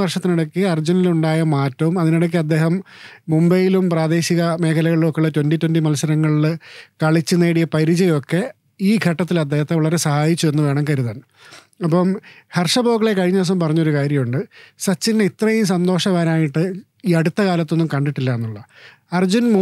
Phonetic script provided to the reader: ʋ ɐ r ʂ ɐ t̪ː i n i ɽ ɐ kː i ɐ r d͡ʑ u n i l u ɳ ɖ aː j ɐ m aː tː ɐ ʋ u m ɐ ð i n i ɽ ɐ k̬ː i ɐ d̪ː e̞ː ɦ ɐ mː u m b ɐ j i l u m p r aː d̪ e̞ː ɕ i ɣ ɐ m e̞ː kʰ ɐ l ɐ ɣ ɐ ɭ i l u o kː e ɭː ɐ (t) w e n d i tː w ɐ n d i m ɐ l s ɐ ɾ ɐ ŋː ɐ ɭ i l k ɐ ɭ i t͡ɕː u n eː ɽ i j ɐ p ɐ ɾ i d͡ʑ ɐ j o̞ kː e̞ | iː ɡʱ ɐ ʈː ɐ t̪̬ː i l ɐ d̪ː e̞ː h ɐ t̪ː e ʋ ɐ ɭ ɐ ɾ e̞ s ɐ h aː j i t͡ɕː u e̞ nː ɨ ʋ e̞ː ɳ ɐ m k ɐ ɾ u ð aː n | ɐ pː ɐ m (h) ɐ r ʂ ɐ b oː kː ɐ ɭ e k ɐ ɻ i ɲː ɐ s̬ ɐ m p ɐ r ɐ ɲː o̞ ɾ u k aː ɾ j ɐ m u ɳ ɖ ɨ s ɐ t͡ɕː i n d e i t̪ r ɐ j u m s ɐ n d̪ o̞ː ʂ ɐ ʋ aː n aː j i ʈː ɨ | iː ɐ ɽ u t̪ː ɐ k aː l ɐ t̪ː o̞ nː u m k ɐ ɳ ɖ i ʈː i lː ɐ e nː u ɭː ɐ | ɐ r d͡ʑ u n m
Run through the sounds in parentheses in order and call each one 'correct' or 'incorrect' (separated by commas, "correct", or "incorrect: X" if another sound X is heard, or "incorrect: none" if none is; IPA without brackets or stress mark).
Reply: correct, correct